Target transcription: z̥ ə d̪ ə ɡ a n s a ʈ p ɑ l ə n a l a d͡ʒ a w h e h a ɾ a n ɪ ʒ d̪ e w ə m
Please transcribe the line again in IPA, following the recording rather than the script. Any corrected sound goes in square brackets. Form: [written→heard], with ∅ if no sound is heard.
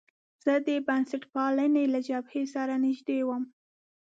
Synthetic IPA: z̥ ə d̪ ə [ɡ→b] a n s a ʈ p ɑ l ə n [a→e] l a d͡ʒ a [w→b] h e [h→s] a ɾ a n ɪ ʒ d̪ e w ə m